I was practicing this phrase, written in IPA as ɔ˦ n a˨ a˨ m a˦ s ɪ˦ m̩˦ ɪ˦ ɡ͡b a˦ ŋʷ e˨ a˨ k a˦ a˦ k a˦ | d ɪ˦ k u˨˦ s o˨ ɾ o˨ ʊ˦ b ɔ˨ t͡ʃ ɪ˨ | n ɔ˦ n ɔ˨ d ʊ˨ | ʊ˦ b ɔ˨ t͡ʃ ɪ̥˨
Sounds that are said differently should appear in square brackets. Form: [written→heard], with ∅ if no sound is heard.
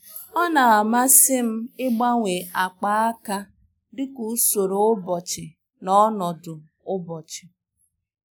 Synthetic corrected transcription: ɔ˦ n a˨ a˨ m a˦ s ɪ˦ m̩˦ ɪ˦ ɡ͡b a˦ ŋʷ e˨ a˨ [k→k͡p] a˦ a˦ k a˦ | d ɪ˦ k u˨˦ s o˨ ɾ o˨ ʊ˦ b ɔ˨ t͡ʃ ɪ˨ | n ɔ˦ n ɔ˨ d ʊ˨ | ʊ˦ b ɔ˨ t͡ʃ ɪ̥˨